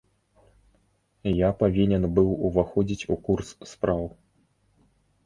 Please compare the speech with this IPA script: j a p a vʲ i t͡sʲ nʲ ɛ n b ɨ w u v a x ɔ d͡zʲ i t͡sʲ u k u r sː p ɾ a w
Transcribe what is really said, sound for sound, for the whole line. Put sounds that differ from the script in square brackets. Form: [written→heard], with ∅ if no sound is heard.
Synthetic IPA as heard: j a p a vʲ i [t͡sʲ→∅] nʲ ɛ n b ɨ w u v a x ɔ d͡zʲ i t͡sʲ u k u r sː p ɾ a w